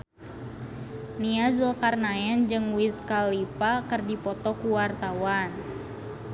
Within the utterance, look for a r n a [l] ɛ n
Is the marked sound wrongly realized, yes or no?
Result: yes